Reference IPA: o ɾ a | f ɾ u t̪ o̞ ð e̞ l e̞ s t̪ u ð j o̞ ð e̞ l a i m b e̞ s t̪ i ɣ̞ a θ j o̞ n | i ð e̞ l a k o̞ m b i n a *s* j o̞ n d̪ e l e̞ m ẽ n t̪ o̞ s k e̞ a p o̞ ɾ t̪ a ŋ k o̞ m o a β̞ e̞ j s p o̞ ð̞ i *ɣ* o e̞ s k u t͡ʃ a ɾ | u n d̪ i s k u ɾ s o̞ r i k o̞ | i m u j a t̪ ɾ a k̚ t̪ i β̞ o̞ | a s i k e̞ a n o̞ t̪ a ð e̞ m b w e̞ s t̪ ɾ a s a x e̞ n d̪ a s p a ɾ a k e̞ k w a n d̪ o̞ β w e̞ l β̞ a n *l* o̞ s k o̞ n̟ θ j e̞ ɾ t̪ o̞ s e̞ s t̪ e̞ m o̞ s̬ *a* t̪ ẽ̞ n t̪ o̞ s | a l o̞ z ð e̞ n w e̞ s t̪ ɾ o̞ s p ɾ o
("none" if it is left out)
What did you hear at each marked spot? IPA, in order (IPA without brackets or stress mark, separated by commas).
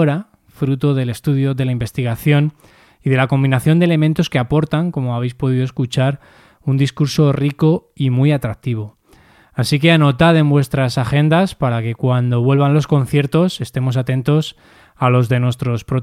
θ, ð, l, a